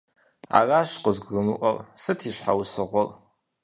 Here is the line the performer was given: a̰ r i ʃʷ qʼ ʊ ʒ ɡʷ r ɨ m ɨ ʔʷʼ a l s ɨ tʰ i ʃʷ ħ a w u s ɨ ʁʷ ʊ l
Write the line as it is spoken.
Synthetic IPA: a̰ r a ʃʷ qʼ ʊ z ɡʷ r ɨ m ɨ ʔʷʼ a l s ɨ tʰ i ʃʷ ħ a w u s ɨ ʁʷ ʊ l